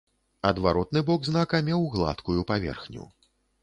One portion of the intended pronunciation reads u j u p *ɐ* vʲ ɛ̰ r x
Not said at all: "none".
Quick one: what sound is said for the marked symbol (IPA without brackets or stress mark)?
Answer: a